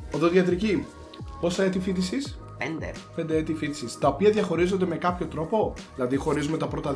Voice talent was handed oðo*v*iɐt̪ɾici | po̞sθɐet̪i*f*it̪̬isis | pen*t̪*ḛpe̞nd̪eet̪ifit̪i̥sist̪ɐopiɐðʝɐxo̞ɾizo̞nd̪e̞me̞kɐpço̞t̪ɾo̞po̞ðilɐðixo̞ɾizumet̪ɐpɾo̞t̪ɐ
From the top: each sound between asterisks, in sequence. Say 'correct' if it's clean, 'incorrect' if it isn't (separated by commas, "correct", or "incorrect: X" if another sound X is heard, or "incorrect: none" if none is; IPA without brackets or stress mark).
incorrect: ð, correct, incorrect: d̪